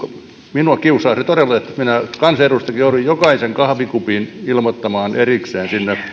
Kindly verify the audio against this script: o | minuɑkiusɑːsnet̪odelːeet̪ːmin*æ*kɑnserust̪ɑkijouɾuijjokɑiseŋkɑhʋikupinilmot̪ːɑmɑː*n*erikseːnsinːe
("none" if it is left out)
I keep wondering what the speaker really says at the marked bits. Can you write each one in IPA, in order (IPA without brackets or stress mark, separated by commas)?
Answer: æ, n